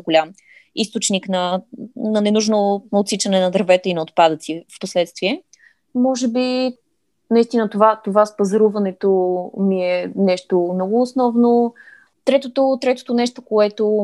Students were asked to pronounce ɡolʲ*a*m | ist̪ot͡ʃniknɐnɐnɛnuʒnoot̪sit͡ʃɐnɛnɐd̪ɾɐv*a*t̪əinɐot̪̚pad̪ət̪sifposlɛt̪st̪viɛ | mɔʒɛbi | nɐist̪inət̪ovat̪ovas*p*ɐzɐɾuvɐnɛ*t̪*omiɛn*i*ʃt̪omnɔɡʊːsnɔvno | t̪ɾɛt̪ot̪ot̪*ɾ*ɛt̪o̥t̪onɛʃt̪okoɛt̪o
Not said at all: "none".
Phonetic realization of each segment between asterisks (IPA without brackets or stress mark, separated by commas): a, ɛ, p, t̪, ɛ, ɾ